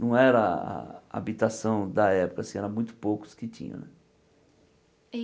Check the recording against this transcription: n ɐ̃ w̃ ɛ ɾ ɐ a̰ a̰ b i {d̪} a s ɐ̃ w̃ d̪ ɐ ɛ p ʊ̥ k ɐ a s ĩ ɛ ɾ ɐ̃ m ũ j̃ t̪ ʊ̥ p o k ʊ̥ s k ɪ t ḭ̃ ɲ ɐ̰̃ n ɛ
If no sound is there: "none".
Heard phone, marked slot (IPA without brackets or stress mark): t̪